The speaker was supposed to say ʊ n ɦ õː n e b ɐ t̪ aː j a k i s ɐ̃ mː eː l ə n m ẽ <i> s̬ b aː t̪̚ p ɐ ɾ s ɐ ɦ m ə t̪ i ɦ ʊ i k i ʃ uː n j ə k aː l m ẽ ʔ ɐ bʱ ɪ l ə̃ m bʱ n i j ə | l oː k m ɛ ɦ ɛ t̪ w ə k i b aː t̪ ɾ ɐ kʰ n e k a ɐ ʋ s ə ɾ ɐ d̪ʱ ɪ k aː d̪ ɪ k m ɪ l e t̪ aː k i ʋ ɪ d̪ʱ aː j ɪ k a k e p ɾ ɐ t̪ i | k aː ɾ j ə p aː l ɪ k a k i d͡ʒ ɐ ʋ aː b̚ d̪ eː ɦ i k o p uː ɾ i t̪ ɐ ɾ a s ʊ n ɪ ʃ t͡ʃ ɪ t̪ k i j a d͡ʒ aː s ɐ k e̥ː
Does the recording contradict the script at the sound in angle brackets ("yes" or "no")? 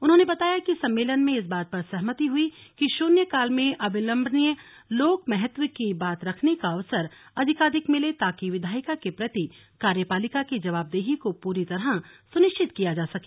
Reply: yes